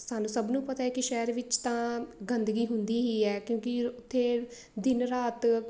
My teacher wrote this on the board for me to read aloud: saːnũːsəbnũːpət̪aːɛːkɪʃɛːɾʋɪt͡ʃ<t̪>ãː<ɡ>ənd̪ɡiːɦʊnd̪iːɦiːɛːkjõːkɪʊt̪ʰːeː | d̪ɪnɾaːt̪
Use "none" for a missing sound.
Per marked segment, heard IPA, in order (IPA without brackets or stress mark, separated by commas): t̪, ɡ